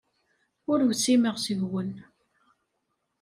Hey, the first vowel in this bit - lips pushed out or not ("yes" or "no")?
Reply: yes